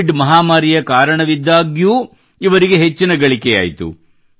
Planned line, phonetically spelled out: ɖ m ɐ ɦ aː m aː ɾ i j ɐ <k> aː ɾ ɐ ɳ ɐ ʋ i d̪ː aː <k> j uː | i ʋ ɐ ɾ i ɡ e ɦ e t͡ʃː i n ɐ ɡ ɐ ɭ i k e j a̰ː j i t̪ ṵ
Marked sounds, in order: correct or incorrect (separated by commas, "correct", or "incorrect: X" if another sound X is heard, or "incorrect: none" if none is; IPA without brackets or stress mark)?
correct, incorrect: ɡ